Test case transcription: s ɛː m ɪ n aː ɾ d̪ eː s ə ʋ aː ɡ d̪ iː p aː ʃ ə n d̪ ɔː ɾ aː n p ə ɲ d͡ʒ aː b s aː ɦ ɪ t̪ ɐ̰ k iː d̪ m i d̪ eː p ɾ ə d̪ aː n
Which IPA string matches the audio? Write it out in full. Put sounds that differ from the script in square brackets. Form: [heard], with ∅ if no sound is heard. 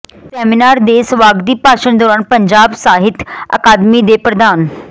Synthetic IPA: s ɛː m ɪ n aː ɾ d̪ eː s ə ʋ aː ɡ d̪ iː p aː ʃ ə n d̪ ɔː ɾ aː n p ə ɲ d͡ʒ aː b s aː ɦ ɪ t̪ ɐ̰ k [aː] d̪ m i d̪ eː p ɾ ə d̪ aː n